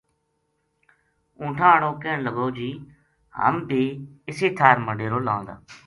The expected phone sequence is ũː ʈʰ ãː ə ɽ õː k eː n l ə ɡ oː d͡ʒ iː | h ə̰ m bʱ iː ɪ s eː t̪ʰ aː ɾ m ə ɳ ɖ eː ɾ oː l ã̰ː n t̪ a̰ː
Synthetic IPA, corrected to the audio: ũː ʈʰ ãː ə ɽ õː k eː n l ə ɡ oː d͡ʒ iː | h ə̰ m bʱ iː ɪ s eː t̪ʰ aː ɾ m ə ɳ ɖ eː ɾ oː l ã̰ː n d̪ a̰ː